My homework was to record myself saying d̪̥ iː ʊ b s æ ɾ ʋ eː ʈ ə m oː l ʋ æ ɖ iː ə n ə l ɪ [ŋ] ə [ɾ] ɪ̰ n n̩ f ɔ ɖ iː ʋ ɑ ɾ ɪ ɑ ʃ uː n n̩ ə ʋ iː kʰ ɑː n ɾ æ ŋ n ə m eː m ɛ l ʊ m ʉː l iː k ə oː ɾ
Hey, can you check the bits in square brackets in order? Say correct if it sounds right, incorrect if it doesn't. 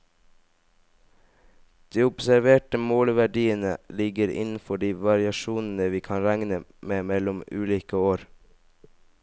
incorrect, correct

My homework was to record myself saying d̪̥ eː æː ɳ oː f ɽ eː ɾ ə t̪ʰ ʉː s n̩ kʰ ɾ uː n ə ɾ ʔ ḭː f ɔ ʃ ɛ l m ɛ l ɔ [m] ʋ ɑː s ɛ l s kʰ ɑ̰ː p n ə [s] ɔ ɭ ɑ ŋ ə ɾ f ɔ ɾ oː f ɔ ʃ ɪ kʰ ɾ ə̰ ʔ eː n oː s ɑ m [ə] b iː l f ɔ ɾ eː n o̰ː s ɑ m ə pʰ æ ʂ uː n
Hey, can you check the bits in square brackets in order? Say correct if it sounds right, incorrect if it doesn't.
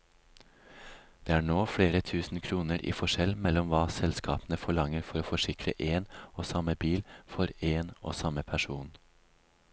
correct, incorrect, correct

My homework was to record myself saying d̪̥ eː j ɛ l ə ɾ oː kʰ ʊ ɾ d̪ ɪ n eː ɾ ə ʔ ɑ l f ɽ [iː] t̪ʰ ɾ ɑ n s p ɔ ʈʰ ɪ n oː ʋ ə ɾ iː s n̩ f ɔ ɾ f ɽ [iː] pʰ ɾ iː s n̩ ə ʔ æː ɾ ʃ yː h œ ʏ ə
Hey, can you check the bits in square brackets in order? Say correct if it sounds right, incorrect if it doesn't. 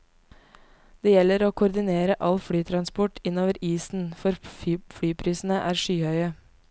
incorrect, incorrect

